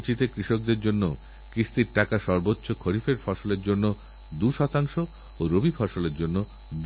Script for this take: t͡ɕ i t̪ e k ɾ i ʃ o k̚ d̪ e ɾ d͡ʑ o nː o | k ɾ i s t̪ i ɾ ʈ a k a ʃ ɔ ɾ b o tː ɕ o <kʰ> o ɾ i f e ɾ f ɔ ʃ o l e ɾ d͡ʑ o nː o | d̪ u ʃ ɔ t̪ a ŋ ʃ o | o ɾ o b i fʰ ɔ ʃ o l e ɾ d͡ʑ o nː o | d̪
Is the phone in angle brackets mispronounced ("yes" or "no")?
no